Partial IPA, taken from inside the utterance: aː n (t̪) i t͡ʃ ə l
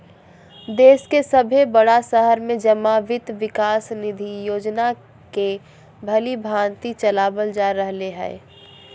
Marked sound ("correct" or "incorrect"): correct